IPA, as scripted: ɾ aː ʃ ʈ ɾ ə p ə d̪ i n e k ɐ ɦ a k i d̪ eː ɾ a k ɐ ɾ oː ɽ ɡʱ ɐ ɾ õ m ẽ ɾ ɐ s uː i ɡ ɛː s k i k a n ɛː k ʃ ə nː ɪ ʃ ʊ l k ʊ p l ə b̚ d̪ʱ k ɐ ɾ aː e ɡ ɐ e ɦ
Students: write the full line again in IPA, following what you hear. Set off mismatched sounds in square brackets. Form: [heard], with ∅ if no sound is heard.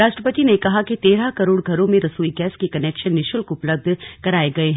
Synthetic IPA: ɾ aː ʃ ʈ ɾ ə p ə [t̪] i n e k ɐ ɦ a k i [t̪] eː ɾ a k ɐ ɾ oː ɽ ɡʱ ɐ ɾ õ m ẽ ɾ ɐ s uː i ɡ ɛː s k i k [ɐ] n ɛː k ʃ ə nː ɪ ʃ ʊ l k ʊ p l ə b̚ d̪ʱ k ɐ ɾ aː e ɡ ɐ e ɦ

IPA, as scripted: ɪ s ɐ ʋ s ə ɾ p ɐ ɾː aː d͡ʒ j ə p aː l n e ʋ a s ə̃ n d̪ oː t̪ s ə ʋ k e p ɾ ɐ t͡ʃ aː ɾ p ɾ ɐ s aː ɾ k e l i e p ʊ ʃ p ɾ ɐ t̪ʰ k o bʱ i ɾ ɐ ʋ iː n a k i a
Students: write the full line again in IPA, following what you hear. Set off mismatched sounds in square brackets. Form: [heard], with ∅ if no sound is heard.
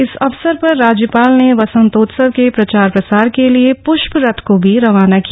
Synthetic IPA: ɪ s ɐ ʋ s ə ɾ p ɐ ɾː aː d͡ʒ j ə p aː l n e ʋ [ɐ] s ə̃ n [t̪] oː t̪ s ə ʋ k e p ɾ ɐ t͡ʃ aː ɾ p ɾ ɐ s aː ɾ k e l i e p ʊ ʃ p ɾ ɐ t̪ʰ k o bʱ i ɾ ɐ ʋ [aː] n a k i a

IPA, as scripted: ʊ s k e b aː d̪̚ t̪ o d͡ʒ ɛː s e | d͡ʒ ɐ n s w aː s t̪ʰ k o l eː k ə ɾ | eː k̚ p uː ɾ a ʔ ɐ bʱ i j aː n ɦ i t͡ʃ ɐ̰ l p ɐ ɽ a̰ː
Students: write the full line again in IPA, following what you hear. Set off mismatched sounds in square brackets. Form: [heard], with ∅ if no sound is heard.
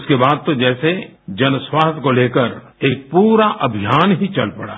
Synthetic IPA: ʊ s k e b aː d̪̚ t̪ o d͡ʒ ɛː s e | d͡ʒ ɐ n s w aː s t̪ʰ k o l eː k ə ɾ | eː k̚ p uː ɾ a ʔ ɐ bʱ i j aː n ɦ i t͡ʃ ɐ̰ l p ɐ ɽ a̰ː

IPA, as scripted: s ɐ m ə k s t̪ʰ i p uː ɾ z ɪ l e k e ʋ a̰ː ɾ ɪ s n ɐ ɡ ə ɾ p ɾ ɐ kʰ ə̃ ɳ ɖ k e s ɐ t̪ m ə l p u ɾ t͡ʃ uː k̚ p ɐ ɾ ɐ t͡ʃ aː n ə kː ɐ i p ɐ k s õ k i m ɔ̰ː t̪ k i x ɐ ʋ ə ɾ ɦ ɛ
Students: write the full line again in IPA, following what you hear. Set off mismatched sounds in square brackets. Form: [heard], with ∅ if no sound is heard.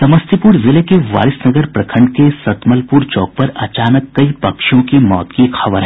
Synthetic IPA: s ɐ m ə [∅] s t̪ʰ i p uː ɾ z ɪ l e k e ʋ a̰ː ɾ ɪ s n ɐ ɡ ə ɾ p ɾ ɐ kʰ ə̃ ɳ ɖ k e s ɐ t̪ m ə l p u ɾ t͡ʃ [ɔː] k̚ p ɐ ɾ ɐ t͡ʃ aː n ə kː ɐ i p ɐ k [ʃ] õ k i m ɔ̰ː t̪ k i x ɐ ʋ ə ɾ ɦ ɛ

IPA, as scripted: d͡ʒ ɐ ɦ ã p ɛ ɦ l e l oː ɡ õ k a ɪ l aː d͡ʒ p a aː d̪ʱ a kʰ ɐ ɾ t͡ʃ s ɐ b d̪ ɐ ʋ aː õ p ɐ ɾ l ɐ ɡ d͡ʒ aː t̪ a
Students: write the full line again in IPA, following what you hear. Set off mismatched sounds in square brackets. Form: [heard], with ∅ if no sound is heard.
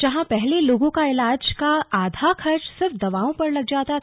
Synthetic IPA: d͡ʒ ɐ ɦ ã p ɛ ɦ l e l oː ɡ õ k a ɪ l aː d͡ʒ [k] a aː d̪ʱ a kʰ ɐ ɾ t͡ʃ s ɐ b d̪ ɐ ʋ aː õ p ɐ ɾ l ɐ ɡ d͡ʒ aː t̪ a

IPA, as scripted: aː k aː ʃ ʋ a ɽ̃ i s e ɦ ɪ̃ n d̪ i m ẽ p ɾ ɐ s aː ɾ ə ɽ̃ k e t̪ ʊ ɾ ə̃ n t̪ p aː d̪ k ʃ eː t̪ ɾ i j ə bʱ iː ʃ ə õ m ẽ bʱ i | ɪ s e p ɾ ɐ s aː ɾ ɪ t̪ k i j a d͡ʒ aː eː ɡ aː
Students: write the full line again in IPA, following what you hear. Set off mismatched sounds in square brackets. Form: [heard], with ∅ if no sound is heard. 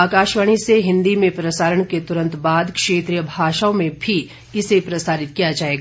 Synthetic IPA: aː k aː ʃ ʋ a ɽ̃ i s e ɦ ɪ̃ n d̪ i m ẽ p ɾ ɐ s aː ɾ ə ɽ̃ k e t̪ ʊ ɾ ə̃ n t̪ [b] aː d̪ k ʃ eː t̪ ɾ i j ə bʱ [aː] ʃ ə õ m ẽ bʱ i | ɪ s e p ɾ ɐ s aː ɾ ɪ t̪ k i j a d͡ʒ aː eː ɡ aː

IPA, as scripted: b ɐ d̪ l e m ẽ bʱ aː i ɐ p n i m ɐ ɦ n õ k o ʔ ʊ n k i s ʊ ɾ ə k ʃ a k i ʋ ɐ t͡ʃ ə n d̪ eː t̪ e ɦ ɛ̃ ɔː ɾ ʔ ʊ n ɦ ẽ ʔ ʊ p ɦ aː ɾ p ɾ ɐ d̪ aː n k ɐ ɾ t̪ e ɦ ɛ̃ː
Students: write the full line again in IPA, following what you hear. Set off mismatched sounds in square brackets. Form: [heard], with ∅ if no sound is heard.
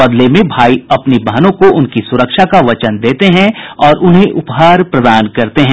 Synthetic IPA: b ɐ d̪ l e m ẽ bʱ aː i ɐ p n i [b] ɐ ɦ n õ k o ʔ ʊ n k i s ʊ ɾ ə k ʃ a k [a] ʋ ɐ t͡ʃ ə n d̪ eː t̪ e ɦ ɛ̃ ɔː ɾ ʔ ʊ n ɦ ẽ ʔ ʊ p ɦ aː ɾ p ɾ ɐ d̪ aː n k ɐ ɾ t̪ e ɦ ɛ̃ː

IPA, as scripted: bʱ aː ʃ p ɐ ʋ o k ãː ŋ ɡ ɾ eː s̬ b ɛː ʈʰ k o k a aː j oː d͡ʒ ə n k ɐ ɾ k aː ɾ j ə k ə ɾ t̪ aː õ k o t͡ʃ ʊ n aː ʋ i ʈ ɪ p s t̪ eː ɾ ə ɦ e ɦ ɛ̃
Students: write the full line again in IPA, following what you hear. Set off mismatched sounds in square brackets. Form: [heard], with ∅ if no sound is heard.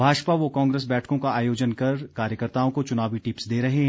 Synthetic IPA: bʱ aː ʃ p [a] ʋ o k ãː ŋ ɡ ɾ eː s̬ b ɛː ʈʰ k [õ] k a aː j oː d͡ʒ ə n k ɐ ɾ k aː ɾ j ə k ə ɾ t̪ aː õ k o t͡ʃ ʊ n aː ʋ i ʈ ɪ p s [d̪] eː ɾ [ɐ] ɦ e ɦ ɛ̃

